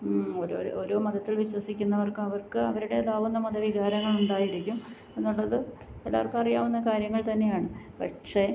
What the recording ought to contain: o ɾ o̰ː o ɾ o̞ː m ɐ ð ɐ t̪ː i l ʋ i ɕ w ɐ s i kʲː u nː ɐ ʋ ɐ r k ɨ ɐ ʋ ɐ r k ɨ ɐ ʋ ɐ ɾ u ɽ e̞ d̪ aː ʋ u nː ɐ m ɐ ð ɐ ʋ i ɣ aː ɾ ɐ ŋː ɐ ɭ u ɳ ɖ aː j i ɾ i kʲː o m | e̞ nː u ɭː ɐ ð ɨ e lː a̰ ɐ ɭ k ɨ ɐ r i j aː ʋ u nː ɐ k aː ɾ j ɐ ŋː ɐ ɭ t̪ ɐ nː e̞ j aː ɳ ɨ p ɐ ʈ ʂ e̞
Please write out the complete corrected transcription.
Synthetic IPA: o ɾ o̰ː o ɾ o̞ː m ɐ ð ɐ t̪ː i l ʋ i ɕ w ɐ s i kʲː u nː ɐ ʋ ɐ r k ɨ ɐ ʋ ɐ r k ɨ ɐ ʋ ɐ ɾ u ɽ e̞ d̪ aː ʋ u nː ɐ m ɐ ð ɐ ʋ i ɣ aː ɾ ɐ ŋː ɐ ɭ u ɳ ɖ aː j i ɾ i kʲː u m | e̞ nː u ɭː ɐ ð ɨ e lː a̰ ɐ r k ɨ ɐ r i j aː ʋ u nː ɐ k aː ɾ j ɐ ŋː ɐ ɭ t̪ ɐ nː e̞ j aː ɳ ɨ p ɐ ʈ ʂ e̞